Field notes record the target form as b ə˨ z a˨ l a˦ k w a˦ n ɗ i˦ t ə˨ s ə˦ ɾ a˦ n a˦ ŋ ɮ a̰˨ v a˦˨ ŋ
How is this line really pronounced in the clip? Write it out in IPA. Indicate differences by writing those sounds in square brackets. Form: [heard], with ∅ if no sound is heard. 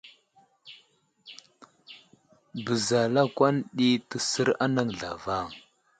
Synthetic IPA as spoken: b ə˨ z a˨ l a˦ k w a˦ n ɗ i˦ t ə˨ s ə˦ ɾ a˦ n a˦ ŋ ɮ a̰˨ v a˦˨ ŋ